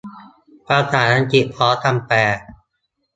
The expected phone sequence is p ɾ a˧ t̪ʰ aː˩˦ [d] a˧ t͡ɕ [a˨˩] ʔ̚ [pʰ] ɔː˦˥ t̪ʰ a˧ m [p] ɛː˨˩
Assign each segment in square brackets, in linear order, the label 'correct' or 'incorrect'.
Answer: incorrect: n, incorrect: i˨˩, correct, correct

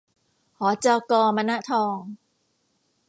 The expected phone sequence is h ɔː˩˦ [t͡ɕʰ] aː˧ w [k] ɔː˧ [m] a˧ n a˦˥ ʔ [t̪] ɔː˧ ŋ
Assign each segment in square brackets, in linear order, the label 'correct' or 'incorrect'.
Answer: incorrect: t͡ɕ, correct, correct, incorrect: t̪ʰ

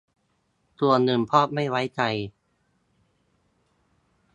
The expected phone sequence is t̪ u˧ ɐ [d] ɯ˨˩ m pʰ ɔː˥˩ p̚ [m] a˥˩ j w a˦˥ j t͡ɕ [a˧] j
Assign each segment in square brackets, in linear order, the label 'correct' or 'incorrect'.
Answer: incorrect: n, correct, correct

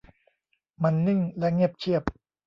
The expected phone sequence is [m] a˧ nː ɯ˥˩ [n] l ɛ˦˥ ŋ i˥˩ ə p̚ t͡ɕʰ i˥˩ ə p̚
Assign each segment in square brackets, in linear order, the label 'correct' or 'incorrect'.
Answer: correct, incorrect: ŋ

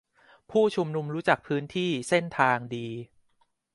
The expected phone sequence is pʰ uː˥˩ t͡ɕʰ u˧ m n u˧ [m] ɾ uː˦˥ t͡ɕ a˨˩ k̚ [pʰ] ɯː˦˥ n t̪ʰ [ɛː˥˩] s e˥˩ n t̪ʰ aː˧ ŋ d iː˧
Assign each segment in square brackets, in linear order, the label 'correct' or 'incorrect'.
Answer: correct, correct, incorrect: iː˥˩

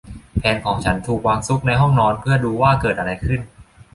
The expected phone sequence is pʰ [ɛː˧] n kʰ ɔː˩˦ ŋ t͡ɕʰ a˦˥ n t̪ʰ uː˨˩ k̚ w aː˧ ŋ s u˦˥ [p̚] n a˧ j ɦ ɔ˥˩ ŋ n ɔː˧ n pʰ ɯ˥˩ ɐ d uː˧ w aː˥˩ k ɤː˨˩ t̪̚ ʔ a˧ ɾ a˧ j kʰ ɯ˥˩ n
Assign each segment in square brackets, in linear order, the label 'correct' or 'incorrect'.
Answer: correct, incorrect: k̚

